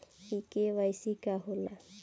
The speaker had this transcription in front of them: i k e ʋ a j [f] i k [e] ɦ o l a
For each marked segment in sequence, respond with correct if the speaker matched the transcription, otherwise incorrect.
incorrect, incorrect

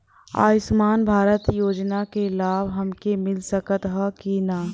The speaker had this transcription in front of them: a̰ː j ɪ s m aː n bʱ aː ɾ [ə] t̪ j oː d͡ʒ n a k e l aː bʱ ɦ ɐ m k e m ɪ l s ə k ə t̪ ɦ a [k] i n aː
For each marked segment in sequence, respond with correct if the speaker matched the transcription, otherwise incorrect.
correct, correct

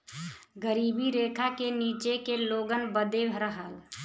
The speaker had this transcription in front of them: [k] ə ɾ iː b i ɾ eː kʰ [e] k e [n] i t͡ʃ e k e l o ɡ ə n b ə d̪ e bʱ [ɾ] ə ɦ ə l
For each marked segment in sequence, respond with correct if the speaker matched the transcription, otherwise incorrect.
incorrect, incorrect, correct, correct

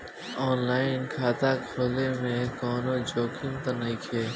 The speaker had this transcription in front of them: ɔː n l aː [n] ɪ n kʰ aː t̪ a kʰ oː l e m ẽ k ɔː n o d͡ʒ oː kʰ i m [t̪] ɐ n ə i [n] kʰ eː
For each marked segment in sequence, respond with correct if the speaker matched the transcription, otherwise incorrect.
incorrect, correct, incorrect

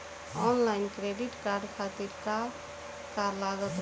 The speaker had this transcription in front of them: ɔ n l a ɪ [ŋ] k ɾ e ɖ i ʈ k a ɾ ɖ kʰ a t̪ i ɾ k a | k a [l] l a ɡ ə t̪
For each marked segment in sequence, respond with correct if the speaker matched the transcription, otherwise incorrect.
incorrect, incorrect

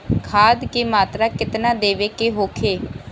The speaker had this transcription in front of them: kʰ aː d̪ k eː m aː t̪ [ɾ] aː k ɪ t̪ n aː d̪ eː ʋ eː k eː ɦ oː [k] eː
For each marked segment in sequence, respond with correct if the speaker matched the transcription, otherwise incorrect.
correct, incorrect

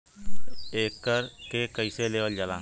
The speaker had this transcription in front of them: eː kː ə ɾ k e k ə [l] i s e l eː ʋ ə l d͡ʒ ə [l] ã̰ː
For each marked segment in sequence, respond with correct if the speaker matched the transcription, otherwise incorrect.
incorrect, correct

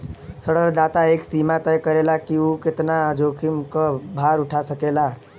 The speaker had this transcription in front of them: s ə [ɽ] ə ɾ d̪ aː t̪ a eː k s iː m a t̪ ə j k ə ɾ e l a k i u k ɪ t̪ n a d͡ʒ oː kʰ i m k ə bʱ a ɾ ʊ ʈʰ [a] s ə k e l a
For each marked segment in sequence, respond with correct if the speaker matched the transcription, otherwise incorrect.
correct, correct

